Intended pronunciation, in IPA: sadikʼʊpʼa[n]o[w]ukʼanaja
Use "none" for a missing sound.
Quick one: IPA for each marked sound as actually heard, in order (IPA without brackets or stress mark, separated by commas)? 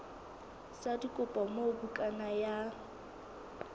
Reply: m, b